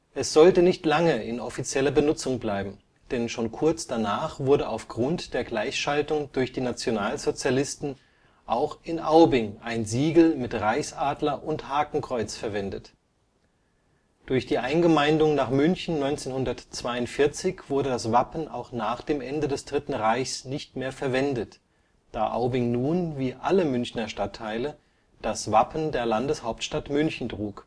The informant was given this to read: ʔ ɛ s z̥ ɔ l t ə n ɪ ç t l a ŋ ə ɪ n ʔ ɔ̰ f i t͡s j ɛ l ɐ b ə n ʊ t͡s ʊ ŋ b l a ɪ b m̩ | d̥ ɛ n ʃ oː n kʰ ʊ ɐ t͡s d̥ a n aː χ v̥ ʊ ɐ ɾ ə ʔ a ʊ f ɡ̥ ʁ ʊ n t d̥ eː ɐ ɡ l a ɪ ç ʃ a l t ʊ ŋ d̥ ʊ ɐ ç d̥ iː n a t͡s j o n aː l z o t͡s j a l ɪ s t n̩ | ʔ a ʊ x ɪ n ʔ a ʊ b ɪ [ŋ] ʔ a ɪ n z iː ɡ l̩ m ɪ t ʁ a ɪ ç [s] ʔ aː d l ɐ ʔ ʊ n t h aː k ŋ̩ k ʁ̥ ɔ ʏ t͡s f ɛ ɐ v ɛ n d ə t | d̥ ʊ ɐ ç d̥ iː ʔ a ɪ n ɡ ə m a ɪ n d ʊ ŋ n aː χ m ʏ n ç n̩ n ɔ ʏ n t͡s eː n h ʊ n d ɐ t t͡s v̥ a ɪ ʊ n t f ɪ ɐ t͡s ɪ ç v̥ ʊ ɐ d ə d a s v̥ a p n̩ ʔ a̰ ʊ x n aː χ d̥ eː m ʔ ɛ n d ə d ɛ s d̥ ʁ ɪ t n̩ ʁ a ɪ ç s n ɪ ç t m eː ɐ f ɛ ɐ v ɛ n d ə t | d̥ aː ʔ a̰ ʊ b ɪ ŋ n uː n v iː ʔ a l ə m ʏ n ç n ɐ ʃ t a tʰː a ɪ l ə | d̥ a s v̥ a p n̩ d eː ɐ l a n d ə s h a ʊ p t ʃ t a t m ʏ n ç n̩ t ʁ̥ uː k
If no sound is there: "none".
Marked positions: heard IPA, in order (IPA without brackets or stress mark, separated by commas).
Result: ŋ, s